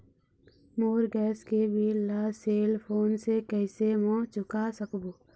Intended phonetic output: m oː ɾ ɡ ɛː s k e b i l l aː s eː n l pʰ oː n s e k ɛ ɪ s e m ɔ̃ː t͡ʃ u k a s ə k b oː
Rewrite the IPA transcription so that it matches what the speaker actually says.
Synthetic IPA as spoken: m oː ɾ ɡ ɛː s k e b i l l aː s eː l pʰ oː n s e k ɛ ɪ s e m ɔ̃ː t͡ʃ ʊ k a s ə k b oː